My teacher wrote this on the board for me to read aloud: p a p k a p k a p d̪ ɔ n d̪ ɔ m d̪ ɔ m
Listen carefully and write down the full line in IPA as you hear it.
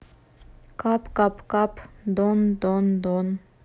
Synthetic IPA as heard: k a p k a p k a p d̪ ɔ n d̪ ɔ n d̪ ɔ n